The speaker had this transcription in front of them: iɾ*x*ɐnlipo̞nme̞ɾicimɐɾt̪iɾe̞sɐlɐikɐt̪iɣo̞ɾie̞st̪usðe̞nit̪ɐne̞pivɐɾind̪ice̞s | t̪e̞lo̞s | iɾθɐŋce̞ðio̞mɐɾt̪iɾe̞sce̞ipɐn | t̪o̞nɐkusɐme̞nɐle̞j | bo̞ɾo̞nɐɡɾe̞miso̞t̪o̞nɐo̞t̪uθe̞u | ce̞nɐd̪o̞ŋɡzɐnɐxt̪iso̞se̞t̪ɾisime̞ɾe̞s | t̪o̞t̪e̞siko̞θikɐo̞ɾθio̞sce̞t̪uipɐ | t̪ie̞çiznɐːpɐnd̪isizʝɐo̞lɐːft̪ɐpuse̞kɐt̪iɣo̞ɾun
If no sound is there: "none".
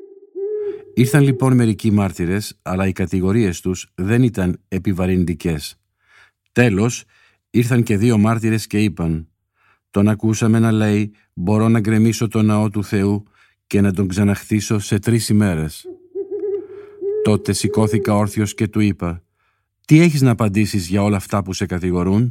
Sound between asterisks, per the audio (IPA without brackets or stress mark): θ